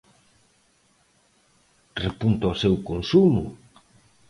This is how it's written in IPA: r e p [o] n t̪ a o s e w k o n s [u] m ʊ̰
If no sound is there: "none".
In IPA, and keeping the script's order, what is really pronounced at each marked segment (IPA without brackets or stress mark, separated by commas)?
u, u